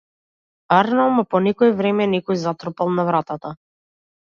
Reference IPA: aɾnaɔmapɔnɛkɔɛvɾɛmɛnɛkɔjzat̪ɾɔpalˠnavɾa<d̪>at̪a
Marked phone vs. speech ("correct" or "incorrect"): incorrect